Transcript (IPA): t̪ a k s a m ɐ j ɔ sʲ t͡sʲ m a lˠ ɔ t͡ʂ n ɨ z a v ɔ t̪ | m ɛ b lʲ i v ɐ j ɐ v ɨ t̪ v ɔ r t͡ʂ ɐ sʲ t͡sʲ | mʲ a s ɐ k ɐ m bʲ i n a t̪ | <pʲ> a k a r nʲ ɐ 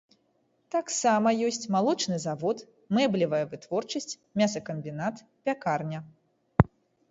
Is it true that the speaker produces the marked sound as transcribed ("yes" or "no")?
yes